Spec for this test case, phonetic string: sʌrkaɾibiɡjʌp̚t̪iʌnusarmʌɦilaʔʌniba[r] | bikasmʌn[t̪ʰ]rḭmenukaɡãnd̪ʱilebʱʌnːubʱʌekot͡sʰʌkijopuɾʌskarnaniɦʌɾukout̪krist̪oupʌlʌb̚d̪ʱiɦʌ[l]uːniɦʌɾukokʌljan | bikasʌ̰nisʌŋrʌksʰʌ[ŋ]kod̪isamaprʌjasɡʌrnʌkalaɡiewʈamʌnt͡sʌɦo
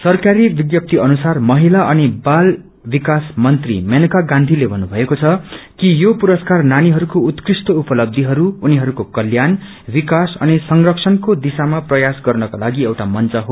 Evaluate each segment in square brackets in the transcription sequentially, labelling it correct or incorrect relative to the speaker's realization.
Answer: incorrect: l, incorrect: t̪, incorrect: ɾ, incorrect: n

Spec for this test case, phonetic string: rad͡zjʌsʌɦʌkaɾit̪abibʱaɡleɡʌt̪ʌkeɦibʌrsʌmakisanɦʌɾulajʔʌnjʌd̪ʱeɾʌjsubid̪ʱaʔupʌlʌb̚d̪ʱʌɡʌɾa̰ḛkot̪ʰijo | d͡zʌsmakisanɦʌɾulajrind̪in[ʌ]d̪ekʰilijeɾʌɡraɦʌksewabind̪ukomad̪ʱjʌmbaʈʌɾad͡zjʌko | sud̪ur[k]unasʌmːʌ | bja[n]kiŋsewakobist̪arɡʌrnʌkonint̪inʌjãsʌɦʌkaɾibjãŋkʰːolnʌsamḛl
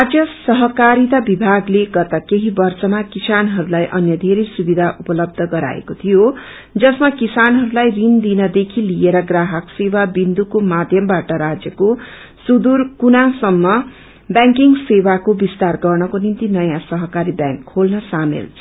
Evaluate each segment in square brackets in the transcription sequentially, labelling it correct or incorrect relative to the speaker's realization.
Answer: correct, correct, incorrect: ŋ

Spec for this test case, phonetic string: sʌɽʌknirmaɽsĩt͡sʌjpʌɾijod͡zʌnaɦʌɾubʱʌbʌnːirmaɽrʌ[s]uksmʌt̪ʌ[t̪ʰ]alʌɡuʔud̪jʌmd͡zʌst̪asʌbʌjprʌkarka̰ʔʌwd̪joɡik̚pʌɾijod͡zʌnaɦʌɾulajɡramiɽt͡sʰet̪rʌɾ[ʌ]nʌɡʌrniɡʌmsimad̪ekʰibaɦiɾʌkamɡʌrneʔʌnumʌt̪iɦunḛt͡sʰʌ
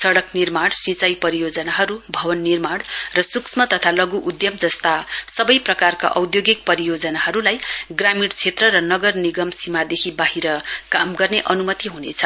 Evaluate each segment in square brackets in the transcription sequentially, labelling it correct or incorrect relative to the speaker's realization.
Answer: correct, correct, correct

